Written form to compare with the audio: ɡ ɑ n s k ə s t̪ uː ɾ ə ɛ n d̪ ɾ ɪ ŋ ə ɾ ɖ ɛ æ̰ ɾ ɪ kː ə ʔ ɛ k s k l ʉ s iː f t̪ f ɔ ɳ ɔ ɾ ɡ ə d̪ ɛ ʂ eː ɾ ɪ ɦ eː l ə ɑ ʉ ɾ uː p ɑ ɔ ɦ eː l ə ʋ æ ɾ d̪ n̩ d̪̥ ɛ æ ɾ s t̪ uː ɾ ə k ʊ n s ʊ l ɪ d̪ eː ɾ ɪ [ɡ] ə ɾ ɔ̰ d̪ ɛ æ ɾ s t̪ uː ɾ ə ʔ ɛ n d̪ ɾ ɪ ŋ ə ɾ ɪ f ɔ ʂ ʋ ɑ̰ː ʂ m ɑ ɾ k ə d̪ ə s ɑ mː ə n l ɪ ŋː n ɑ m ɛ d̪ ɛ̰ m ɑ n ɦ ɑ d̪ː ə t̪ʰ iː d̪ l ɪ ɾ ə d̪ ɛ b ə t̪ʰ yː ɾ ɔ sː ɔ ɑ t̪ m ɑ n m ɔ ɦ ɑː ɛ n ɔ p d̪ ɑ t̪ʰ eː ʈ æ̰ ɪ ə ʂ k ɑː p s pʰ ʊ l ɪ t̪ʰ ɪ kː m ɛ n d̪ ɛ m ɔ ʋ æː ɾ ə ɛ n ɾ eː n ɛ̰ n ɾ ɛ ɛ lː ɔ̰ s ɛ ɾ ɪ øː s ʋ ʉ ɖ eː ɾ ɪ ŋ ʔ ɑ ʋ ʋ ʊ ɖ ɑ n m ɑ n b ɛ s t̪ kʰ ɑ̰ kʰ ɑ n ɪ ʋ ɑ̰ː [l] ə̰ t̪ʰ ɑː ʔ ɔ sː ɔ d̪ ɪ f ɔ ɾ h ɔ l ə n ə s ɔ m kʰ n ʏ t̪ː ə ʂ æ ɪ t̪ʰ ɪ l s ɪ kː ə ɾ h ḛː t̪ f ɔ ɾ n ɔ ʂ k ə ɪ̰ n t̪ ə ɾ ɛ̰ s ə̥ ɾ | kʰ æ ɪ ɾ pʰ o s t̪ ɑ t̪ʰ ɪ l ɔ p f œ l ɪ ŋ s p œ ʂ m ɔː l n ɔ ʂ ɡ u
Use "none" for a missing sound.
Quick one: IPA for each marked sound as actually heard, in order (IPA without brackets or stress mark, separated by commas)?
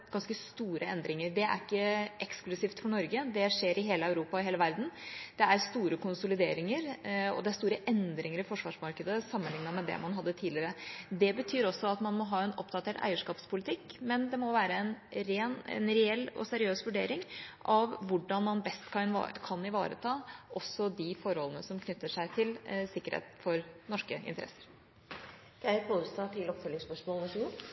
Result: ŋ, ɾ